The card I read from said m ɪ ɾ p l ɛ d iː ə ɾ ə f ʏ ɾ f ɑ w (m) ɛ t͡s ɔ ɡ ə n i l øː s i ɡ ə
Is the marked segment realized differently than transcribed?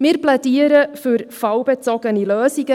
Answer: yes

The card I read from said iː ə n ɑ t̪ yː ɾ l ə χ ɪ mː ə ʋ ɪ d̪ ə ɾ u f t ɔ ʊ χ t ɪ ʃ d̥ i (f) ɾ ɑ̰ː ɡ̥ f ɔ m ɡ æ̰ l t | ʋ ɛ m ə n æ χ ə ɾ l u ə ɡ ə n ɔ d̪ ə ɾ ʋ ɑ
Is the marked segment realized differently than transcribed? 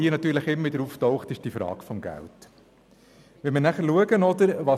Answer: no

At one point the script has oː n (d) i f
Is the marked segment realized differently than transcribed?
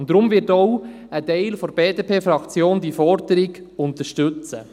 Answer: no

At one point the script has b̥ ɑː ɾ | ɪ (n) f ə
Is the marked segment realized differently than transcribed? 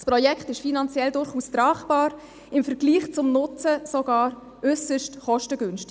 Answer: yes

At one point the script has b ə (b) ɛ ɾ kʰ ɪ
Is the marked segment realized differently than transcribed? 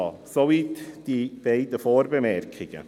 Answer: yes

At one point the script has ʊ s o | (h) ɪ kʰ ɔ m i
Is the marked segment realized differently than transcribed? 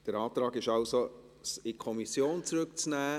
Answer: yes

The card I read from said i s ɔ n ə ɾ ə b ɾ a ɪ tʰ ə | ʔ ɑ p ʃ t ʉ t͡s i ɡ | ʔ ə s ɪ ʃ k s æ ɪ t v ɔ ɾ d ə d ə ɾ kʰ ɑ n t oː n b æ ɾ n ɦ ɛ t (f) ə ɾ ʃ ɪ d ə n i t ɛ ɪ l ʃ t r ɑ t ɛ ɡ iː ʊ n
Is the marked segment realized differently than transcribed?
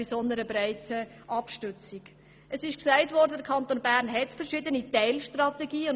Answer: no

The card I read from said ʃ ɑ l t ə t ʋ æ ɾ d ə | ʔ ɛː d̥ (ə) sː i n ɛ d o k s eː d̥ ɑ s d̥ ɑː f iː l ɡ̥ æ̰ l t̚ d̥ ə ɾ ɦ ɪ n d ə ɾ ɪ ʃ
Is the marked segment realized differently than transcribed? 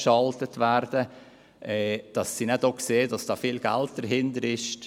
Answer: yes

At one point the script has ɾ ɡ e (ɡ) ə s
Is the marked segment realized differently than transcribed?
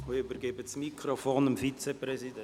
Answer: yes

